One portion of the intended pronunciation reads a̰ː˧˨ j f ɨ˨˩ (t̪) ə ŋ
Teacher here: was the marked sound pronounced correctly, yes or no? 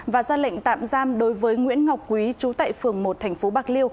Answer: no